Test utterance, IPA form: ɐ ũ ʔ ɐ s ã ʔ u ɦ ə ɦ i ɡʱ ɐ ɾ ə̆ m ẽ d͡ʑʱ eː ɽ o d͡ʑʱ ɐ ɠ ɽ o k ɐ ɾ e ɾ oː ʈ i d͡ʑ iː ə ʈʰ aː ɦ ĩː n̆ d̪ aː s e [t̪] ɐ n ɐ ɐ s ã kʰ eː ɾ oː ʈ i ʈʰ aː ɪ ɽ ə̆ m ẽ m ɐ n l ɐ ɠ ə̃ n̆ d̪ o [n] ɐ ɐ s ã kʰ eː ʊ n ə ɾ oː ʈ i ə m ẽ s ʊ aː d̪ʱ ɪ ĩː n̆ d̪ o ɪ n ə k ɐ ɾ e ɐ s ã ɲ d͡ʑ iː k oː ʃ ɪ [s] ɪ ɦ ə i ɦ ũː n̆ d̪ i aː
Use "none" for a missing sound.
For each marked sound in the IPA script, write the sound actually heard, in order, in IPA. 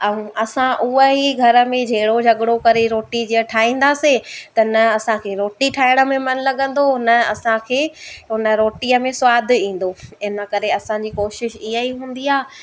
t̪, n, ʃ

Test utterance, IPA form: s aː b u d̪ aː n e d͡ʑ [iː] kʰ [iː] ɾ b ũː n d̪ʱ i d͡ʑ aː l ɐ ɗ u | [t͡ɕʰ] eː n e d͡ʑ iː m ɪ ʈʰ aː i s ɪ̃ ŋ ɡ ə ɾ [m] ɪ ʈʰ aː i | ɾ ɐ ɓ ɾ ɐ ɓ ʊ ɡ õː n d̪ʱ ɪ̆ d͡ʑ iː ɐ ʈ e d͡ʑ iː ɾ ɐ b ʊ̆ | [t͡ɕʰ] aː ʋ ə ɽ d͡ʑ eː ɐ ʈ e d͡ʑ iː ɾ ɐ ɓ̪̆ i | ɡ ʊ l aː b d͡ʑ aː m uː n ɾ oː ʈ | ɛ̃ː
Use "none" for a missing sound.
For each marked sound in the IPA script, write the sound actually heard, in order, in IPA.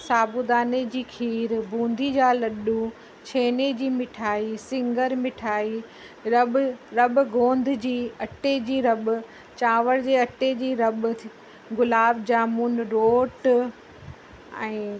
iː, iː, t͡ɕʰ, m, t͡ɕ

